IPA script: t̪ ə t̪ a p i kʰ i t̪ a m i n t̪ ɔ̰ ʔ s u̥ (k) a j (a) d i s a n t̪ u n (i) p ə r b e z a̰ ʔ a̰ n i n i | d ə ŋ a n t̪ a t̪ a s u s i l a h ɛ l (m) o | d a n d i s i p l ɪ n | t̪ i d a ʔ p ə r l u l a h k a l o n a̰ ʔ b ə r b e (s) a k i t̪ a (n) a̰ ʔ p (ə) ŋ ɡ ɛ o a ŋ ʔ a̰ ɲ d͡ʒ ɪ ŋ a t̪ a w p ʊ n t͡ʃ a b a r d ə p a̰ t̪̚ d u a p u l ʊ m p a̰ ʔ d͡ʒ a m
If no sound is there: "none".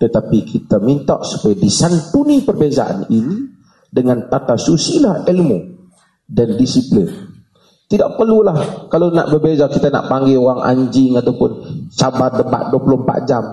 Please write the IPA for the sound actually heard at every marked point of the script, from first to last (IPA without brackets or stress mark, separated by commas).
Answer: p, a, i, m, z, n, a